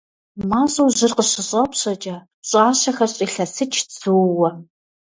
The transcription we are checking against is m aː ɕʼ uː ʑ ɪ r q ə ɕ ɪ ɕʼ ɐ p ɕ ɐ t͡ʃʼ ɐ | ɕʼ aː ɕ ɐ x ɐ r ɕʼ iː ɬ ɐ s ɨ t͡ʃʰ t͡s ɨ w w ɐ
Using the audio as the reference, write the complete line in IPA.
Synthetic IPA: m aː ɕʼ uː ʑ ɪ r q ə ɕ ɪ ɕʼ ɐ p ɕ ɐ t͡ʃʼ ɐ | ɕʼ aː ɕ ɐ x ɐ r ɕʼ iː ɬ ɐ s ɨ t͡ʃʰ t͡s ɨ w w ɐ